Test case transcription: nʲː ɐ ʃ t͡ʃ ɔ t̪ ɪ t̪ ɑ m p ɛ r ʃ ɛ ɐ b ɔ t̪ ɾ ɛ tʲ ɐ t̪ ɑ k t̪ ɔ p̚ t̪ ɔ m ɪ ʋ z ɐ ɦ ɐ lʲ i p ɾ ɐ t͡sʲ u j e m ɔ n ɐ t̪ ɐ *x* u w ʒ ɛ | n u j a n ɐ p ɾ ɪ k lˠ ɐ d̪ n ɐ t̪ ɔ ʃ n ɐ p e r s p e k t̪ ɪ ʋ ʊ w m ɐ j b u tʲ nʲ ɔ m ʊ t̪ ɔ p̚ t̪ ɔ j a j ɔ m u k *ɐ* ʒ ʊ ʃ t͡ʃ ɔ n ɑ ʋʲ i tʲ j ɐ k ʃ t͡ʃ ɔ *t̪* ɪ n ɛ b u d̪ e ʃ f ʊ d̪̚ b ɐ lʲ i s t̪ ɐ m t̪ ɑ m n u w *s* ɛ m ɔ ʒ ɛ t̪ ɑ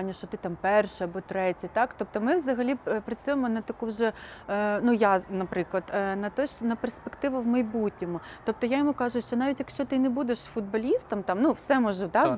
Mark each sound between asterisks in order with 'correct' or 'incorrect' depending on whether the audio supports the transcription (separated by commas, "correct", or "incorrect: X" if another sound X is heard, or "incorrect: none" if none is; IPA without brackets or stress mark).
incorrect: k, incorrect: ɑ, correct, correct